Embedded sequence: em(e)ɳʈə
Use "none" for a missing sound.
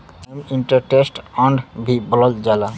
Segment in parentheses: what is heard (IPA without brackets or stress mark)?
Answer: i